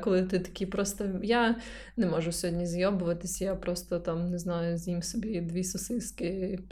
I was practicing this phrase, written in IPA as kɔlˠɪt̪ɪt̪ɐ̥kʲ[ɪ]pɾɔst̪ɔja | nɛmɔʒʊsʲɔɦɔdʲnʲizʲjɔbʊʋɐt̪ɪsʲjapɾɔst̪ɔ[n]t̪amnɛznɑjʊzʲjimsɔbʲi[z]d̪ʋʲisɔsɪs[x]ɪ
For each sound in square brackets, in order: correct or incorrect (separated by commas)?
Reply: incorrect, incorrect, incorrect, incorrect